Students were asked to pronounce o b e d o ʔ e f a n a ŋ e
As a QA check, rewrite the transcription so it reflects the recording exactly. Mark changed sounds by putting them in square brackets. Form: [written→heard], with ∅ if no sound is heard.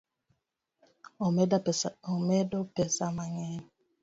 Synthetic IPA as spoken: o [b→m] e d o [ʔ→p] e [f→s] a [n→m] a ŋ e